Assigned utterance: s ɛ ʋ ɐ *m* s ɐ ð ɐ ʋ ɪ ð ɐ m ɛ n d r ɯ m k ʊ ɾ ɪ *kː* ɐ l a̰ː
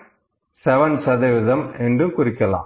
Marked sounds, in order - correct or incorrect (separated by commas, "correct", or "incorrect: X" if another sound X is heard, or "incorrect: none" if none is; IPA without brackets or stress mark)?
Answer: incorrect: n, correct